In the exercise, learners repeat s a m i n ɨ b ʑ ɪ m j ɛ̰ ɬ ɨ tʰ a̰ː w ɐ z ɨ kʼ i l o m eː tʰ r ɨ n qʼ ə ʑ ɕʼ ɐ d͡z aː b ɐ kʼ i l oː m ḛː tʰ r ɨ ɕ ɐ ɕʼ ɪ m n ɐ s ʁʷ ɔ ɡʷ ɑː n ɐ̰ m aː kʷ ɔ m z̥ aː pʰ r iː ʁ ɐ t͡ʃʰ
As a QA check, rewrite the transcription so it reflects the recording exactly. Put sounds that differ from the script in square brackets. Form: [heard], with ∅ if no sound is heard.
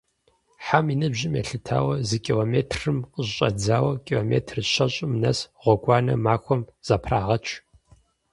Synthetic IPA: [ħ] a m i n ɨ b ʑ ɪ m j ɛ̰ ɬ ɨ tʰ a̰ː w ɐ z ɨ kʼ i l o m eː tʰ r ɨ [m] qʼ ə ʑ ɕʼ ɐ d͡z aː [w] ɐ kʼ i l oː m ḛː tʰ r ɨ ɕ ɐ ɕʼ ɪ m n ɐ s ʁʷ ɔ ɡʷ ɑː n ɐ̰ m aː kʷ ɔ m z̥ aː pʰ r [aː] ʁ ɐ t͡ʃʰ

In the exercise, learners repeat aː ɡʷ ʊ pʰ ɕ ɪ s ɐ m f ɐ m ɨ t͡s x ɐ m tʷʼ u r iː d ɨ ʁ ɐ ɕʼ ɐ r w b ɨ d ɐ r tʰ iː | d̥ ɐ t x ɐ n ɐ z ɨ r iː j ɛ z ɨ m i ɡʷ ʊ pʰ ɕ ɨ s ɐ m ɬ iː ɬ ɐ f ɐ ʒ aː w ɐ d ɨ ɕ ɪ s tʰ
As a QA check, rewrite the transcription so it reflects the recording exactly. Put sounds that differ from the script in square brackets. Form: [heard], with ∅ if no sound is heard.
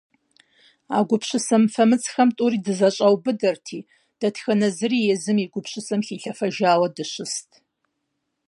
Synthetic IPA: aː ɡʷ ʊ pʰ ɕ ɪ s ɐ m f ɐ m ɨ t͡s x ɐ m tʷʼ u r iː d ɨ [z] ɐ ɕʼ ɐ [∅] w b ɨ d ɐ r tʰ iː | d̥ ɐ t x ɐ n ɐ z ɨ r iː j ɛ z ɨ m i ɡʷ ʊ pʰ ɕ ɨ s ɐ m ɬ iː ɬ ɐ f ɐ ʒ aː w ɐ d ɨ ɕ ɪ s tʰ

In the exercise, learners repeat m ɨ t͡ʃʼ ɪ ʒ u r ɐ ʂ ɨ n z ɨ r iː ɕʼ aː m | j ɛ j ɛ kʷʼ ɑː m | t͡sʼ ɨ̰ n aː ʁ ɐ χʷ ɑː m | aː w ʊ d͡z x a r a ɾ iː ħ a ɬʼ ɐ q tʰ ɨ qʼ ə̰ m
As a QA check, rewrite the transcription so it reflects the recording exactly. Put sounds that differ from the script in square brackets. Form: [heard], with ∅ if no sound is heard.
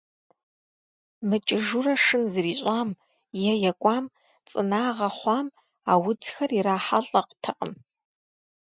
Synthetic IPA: m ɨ t͡ʃʼ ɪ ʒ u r ɐ ʂ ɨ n z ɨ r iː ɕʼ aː m | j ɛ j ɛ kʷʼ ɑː m | t͡sʼ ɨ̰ n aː ʁ ɐ χʷ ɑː m | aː w ʊ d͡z x [ɐ] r [i] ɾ [aː] ħ a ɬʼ ɐ q tʰ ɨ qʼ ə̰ m

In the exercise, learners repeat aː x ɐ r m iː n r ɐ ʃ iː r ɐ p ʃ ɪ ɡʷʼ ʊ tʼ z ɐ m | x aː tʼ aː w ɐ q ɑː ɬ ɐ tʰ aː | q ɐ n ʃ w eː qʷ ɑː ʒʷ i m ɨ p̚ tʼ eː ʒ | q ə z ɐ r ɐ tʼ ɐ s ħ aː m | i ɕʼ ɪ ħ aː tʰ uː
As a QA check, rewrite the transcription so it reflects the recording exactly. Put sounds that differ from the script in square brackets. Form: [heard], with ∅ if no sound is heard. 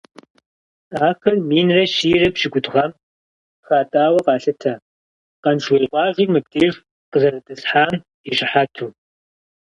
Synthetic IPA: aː x ɐ r m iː n r ɐ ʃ iː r ɐ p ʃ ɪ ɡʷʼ ʊ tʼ [ʁ] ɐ m | x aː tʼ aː w ɐ q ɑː ɬ ɐ tʰ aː | q ɐ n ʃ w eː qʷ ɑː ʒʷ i m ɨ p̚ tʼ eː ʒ | q ə z ɐ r ɐ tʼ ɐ s ħ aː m | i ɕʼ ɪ ħ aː tʰ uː

